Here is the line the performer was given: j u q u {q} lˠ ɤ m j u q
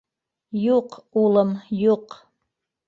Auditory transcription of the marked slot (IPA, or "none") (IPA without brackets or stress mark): none